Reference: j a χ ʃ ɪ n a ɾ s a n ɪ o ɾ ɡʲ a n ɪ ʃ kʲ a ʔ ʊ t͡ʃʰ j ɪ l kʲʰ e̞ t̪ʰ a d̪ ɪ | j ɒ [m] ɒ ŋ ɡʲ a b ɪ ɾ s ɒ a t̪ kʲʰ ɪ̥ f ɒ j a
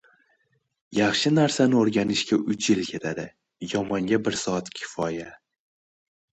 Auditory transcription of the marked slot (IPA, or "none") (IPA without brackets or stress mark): m